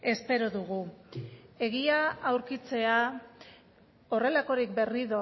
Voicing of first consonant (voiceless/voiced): voiceless